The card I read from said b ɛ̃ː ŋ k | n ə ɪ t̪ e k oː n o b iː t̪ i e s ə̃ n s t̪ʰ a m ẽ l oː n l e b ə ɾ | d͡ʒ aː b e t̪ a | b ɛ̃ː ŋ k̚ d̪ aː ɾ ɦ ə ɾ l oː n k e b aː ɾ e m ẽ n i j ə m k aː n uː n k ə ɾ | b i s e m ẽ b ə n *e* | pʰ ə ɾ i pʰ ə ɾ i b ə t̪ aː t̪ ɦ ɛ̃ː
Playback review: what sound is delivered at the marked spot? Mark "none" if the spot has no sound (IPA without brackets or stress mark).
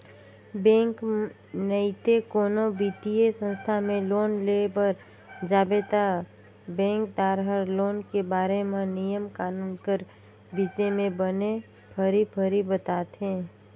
e